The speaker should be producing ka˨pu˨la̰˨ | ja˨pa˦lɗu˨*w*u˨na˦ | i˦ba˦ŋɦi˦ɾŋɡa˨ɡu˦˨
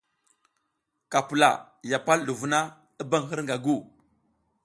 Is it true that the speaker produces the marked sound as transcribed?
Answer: no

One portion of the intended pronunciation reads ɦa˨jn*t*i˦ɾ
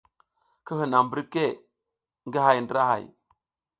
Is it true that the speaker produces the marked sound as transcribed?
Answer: no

